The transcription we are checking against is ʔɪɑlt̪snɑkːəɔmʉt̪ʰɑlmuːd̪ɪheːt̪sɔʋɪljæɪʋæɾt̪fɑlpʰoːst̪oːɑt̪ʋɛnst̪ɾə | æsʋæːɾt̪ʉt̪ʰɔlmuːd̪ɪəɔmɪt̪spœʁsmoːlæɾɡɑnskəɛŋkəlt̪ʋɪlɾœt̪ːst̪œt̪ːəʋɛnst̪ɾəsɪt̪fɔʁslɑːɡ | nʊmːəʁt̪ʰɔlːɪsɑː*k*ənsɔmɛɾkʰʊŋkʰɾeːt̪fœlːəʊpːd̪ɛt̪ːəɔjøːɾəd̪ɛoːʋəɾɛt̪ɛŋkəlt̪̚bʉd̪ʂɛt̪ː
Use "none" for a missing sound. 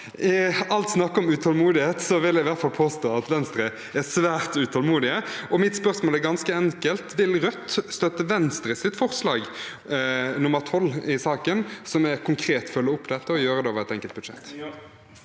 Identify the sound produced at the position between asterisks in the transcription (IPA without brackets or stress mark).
k